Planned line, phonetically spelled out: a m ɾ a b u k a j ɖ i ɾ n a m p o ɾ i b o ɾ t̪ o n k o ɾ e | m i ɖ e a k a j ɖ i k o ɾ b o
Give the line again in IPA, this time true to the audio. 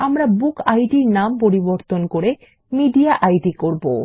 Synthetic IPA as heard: a m ɾ a b u k a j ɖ i ɾ n a m p o ɾ i b o ɾ t̪ o n k o ɾ e | m i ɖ i a ʔ a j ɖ i k o ɾ b o